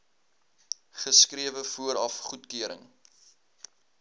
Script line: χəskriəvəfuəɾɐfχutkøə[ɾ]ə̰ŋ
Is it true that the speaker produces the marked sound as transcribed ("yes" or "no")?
yes